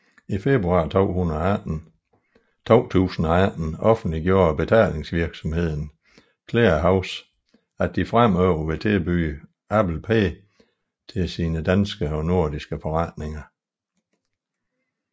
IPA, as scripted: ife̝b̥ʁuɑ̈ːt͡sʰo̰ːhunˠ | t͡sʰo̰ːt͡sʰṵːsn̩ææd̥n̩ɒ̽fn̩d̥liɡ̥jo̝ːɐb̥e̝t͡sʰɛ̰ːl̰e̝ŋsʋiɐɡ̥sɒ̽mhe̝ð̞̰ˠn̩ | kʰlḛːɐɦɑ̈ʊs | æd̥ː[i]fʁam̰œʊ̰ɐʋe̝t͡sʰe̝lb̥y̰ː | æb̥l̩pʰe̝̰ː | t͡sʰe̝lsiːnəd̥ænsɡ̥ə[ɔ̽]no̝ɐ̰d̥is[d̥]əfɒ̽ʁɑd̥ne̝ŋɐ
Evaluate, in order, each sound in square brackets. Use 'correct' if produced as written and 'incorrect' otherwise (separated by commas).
correct, incorrect, incorrect